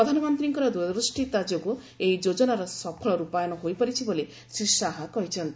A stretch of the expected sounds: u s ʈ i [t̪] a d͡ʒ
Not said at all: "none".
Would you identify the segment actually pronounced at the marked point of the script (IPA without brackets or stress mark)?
t̪